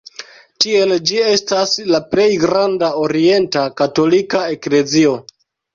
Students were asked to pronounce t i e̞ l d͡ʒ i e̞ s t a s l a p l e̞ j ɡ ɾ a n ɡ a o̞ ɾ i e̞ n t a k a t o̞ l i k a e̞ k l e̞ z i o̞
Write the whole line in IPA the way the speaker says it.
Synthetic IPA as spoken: t i e̞ l d͡ʒ i e̞ s t a s l a p l e̞ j ɡ ɾ a n d a o̞ ɾ i e̞ n t a k a t o̞ l i k a e̞ k l e̞ z i o̞